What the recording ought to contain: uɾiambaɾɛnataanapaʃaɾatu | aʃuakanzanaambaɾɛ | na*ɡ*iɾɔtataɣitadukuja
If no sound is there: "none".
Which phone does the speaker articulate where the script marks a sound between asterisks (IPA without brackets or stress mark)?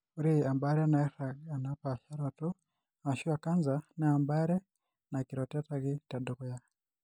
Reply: k